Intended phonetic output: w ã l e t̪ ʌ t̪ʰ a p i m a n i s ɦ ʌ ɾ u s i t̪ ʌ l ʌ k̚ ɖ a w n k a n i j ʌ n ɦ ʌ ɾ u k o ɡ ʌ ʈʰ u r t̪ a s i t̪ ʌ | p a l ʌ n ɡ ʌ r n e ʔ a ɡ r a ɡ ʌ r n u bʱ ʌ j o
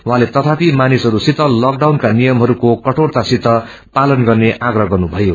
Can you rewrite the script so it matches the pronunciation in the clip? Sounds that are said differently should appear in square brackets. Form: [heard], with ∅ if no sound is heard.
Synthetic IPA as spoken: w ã l e t̪ ʌ t̪ʰ a p i m a n i s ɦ ʌ ɾ u s i t̪ ʌ l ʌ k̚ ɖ a w n k a n i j ʌ [m] ɦ ʌ ɾ u k o [k] ʌ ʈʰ [o] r t̪ a s i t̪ ʌ | p a l ʌ n ɡ ʌ r n e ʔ a ɡ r [ʌ] ɡ ʌ r n u bʱ ʌ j o